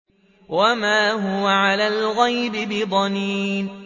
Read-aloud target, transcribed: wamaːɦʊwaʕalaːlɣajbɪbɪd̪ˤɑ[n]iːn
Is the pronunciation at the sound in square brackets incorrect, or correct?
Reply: correct